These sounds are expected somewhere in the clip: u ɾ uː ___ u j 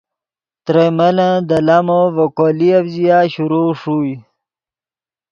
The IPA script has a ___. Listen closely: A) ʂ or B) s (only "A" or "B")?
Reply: A